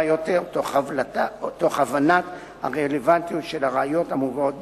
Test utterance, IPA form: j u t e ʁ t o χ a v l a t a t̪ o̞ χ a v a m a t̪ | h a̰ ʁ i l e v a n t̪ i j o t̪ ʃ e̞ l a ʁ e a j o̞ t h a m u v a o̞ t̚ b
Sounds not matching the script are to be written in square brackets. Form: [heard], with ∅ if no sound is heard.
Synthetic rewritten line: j [o] t e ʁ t o χ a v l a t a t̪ o̞ χ a v a [n] a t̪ | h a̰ ʁ [e] l e v a n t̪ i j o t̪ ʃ e̞ l a ʁ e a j o̞ t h a m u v a o̞ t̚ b